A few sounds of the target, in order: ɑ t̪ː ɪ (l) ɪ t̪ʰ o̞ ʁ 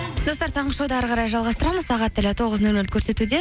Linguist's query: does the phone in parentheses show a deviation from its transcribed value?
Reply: no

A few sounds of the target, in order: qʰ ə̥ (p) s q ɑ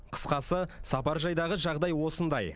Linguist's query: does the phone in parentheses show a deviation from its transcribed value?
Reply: yes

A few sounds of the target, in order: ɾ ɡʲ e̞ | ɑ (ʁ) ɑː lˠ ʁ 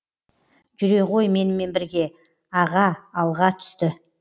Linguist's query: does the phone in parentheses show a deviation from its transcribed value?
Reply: no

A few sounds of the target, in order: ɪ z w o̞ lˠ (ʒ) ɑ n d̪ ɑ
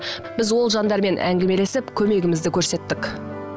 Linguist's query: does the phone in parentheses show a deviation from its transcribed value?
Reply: no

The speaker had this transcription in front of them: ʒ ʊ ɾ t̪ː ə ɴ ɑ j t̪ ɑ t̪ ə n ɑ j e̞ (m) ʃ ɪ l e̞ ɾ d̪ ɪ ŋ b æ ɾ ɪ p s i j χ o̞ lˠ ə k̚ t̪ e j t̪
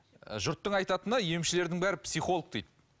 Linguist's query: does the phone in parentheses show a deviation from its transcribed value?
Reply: no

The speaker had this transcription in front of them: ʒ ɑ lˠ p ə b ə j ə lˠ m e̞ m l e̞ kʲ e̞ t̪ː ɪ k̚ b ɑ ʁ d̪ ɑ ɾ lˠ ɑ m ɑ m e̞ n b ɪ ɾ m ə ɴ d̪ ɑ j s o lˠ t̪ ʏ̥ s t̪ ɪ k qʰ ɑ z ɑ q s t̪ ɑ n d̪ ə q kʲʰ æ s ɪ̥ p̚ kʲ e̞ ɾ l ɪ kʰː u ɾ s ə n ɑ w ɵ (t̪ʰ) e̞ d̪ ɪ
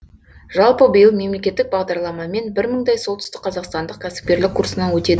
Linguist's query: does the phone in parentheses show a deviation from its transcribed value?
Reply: yes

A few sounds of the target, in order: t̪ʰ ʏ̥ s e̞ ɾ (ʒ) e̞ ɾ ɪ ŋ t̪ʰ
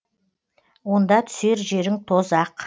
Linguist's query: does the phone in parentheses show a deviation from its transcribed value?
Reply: no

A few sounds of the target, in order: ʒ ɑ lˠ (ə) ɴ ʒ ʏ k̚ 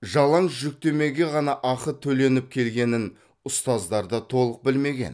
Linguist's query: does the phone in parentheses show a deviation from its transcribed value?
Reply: yes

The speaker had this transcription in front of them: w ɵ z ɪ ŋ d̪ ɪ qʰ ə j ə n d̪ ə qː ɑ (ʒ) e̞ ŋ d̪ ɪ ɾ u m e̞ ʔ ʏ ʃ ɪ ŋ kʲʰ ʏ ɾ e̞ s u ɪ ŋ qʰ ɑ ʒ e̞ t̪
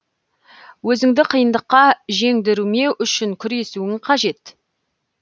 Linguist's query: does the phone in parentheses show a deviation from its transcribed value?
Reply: no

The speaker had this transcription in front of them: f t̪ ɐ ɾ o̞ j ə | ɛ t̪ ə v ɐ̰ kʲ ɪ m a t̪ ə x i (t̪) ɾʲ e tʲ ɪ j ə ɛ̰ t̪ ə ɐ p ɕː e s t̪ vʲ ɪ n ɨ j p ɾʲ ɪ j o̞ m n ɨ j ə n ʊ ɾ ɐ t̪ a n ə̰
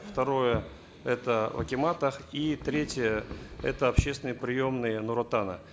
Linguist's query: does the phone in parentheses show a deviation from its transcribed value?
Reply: no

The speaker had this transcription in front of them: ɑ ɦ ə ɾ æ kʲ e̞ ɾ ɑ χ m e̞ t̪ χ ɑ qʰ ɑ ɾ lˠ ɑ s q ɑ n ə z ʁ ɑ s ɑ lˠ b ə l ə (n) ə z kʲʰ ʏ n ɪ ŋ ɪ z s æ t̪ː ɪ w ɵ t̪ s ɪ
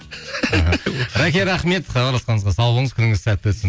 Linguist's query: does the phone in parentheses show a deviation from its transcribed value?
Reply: yes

